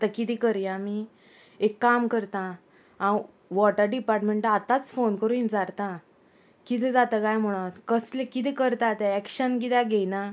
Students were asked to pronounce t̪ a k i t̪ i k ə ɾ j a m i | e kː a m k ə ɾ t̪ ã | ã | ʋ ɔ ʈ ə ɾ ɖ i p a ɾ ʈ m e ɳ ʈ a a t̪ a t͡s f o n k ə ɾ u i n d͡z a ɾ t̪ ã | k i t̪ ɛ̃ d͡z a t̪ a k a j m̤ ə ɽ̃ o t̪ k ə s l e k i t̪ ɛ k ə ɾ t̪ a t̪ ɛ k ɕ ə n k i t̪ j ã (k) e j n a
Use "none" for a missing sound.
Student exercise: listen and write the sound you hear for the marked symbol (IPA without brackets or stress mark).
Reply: ɡ